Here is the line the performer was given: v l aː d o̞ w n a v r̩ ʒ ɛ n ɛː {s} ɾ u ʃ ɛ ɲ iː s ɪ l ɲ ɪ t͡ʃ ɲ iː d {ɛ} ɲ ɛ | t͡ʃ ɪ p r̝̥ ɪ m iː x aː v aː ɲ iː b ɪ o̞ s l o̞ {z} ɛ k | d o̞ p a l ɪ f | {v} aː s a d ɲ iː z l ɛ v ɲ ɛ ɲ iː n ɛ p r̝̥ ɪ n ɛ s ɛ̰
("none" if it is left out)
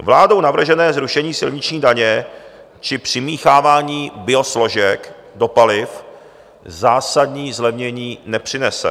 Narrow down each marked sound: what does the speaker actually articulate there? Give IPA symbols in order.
z, a, ʒ, z

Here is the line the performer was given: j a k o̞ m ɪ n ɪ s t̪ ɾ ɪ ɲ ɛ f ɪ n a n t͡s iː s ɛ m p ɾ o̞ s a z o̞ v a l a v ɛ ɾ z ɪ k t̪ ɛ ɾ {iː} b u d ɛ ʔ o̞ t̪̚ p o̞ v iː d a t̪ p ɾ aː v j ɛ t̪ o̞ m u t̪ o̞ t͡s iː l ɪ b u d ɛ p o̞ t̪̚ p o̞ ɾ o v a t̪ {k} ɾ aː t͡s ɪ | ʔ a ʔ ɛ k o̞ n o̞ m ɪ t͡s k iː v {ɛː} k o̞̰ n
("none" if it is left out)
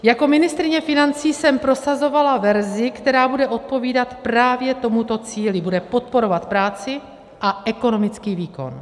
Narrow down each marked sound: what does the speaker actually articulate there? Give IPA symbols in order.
aː, p, iː

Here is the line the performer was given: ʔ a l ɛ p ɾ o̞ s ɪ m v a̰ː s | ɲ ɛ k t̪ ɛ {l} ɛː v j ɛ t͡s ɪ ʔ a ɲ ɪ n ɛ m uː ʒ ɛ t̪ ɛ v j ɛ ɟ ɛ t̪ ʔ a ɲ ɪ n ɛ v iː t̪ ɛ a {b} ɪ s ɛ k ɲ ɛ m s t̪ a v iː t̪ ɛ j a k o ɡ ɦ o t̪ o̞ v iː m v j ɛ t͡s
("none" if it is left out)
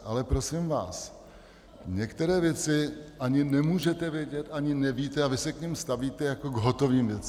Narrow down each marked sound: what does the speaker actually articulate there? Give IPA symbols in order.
ɾ, v

